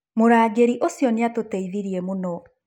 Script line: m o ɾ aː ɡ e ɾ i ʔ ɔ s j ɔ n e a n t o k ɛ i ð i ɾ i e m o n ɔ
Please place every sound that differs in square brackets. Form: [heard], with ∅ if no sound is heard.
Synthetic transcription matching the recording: m o ɾ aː ɡ e ɾ i ʔ [o] s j ɔ n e a [∅] t o [t] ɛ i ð i ɾ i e m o n ɔ